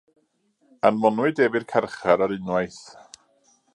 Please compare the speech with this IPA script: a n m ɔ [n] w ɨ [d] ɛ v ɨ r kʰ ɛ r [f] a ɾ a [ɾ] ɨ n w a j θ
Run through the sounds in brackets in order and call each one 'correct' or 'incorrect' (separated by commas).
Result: correct, correct, incorrect, correct